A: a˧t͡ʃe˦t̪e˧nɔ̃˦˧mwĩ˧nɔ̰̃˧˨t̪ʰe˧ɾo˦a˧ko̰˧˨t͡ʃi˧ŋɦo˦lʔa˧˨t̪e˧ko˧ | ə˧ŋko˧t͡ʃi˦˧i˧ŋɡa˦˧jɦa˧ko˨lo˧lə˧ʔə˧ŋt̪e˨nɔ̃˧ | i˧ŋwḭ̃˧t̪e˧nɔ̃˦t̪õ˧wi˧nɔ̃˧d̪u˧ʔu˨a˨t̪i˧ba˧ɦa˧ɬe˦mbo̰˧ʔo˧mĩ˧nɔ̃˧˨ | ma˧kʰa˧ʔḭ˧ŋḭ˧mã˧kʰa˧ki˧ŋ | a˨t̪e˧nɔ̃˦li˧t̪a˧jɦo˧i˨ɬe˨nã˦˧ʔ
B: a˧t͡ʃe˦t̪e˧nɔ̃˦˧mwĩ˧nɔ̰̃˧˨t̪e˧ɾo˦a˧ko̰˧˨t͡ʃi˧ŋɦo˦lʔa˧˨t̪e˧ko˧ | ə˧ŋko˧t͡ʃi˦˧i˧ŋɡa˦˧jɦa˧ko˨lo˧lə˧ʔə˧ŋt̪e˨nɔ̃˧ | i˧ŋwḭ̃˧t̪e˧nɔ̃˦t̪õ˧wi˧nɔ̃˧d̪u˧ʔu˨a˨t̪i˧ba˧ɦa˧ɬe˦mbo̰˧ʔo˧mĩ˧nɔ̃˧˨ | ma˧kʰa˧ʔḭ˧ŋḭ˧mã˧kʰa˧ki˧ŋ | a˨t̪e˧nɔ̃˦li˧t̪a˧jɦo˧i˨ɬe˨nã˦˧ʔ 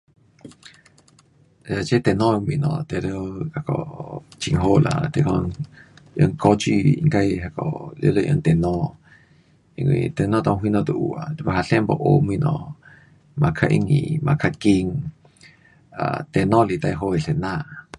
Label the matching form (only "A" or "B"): B